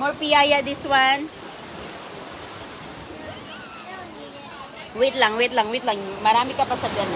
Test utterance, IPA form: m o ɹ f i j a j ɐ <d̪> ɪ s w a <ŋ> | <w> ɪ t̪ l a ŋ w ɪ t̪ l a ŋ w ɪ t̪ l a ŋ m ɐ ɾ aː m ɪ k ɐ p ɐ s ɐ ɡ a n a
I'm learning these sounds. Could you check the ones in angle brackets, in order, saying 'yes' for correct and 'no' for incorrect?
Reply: yes, no, yes

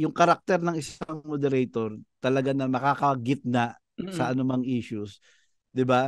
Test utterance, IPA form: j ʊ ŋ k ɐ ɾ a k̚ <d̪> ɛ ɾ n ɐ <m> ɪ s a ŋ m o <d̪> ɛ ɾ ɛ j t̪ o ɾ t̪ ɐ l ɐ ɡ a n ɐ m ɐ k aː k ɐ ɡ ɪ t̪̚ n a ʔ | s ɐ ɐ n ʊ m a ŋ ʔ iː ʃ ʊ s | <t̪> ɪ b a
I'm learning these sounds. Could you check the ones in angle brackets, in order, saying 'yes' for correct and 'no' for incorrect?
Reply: no, no, yes, no

